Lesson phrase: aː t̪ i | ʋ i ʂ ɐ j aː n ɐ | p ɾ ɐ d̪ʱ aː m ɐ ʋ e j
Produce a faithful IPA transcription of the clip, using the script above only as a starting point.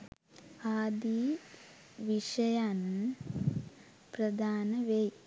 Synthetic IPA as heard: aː d̪ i | ʋ i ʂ ɐ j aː n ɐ | p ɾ ɐ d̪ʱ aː n ɐ ʋ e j